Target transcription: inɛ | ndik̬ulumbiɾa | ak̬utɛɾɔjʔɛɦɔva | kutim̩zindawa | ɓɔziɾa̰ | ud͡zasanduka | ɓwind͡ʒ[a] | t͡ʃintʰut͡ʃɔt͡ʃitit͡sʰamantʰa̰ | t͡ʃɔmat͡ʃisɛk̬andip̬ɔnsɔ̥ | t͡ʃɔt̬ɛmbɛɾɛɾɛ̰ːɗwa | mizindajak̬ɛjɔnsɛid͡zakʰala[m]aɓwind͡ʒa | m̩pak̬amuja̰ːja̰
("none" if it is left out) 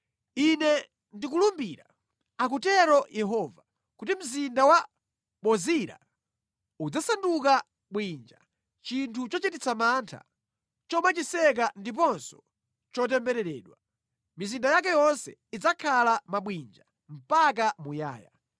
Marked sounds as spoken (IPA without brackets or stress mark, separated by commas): a, m